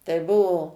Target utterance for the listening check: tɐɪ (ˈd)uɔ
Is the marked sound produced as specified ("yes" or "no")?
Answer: no